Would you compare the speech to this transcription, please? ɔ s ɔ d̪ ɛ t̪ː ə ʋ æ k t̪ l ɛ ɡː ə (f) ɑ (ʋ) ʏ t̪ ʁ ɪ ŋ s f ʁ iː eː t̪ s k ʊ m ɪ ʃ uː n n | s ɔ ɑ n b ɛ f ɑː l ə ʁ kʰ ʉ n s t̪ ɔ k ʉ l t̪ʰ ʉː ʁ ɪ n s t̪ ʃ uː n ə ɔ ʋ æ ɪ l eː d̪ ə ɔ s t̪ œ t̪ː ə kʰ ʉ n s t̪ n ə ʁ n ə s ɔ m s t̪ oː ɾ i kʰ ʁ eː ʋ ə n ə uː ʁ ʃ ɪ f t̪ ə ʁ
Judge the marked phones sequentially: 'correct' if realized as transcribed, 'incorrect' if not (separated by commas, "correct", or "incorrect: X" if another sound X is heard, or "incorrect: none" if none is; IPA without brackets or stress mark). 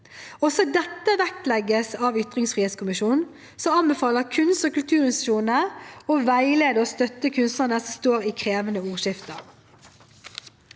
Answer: incorrect: s, correct